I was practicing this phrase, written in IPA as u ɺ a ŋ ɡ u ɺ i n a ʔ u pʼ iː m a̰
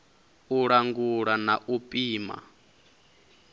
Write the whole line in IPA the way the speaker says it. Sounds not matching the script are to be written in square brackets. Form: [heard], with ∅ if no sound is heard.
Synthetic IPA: u ɺ a ŋ ɡ u ɺ [a] n a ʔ u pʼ iː m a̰